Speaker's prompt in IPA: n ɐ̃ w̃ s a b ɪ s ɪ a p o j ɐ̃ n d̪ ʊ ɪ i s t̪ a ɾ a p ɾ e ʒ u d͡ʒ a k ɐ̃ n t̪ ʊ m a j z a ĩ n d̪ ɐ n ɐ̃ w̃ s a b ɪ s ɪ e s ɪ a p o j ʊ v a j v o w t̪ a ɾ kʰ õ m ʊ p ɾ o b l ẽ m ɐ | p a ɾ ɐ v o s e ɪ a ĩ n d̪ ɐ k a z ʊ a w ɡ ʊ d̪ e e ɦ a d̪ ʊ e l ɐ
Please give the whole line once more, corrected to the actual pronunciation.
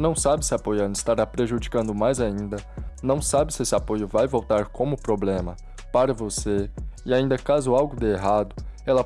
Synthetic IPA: n ɐ̃ w̃ s a b ɪ s ɪ a p o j ɐ̃ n d̪ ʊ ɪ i s t̪ a ɾ a p ɾ e ʒ u d͡ʒ i k ɐ̃ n d̪ ʊ m a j z a ĩ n d̪ ɐ n ɐ̃ w̃ s a b ɪ s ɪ e s ɪ a p o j ʊ v a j v o w t̪ a ɾ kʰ õ m ʊ p ɾ o b l ẽ m ɐ | p a ɾ ɐ v o s e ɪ a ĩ n d̪ ɐ k a z ʊ a w ɡ ʊ d̪ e e ɦ a d̪ ʊ ɛ l ɐ

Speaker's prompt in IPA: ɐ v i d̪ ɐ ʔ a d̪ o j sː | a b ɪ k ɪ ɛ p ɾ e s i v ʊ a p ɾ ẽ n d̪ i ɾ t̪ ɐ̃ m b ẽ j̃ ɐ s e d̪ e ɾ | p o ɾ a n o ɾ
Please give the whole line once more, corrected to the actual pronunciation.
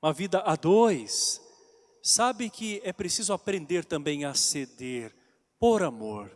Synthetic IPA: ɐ v i d̪ ɐ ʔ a d̪ o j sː | a b ɪ k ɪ ɛ p ɾ e s i z ʊ a p ɾ ẽ n d̪ e ɾ t̪ ɐ̃ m b ẽ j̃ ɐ s e d̪ e ɾ | p o ɾ a m o ɾ

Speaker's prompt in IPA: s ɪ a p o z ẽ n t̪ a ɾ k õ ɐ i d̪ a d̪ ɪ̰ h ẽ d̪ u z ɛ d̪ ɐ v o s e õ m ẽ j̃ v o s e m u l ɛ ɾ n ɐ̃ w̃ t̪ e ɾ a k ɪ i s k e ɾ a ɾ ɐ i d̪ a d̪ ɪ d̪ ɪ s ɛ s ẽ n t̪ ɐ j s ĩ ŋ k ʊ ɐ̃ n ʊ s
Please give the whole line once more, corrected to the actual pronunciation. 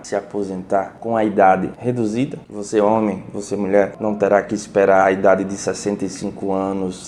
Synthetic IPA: s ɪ a p o z ẽ n t̪ a ɾ k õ ɐ i d̪ a d̪ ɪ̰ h e d̪ u z i d̪ ɐ v o s e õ m ẽ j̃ v o s e m u ʎ ɛ ɾ n ɐ̃ w̃ t̪ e ɾ a k ɪ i s p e ɾ a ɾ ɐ i d̪ a d̪ ɪ d̪ ɪ s ɛ s ẽ n t̪ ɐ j s ĩ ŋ k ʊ ɐ̃ n ʊ s

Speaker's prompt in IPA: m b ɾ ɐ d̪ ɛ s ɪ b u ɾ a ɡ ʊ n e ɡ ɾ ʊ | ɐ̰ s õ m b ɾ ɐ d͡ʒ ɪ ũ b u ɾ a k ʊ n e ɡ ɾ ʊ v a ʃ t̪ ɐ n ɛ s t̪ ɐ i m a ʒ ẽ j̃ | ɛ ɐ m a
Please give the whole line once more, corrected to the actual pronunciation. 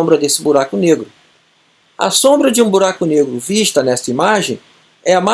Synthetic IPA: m b ɾ ɐ d̪ e s ɪ b u ɾ a k ʊ n e ɡ ɾ ʊ | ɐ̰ s õ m b ɾ ɐ d͡ʒ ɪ ũ b u ɾ a k ʊ n e ɡ ɾ ʊ v i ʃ t̪ ɐ n ɛ s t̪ ɐ i m a ʒ ẽ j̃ | ɛ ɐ m a

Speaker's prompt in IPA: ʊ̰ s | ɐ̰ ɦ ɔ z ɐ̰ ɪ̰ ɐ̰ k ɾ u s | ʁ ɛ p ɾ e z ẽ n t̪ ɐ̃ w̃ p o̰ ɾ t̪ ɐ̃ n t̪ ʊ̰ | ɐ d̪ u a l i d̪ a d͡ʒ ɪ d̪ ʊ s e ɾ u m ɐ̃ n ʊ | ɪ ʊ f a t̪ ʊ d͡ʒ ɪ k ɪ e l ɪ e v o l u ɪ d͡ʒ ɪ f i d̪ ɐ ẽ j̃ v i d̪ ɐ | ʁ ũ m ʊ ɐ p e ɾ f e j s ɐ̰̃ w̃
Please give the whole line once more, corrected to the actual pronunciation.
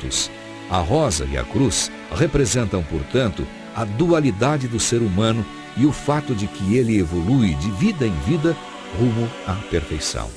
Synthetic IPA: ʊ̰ s | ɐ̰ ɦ ɔ z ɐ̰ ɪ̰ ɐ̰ k ɾ u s | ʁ e p ɾ e z ẽ n t̪ ɐ̃ w̃ p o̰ ɾ t̪ ɐ̃ n t̪ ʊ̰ | ɐ d̪ u a l i d̪ a d͡ʒ ɪ d̪ ʊ s e ɾ u m ɐ̃ n ʊ | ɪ ʊ f a t̪ ʊ d͡ʒ ɪ k ɪ e l ɪ e v o l u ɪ d͡ʒ ɪ v i d̪ ɐ ẽ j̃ v i d̪ ɐ | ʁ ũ m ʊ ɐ p e ɾ f e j s ɐ̰̃ w̃

